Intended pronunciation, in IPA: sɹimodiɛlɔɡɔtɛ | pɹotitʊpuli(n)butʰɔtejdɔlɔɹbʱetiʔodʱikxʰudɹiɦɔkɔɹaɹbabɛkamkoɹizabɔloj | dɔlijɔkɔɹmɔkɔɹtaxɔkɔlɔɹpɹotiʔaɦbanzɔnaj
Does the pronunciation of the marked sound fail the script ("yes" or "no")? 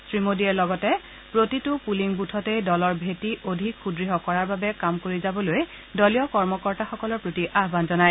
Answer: yes